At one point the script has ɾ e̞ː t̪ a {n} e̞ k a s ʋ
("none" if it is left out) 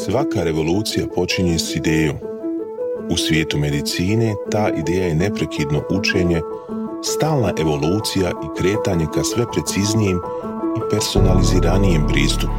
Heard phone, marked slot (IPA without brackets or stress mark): ɲ